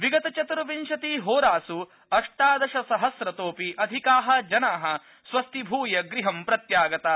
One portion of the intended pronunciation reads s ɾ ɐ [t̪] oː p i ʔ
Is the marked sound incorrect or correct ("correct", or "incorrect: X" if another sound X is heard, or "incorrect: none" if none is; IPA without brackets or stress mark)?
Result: correct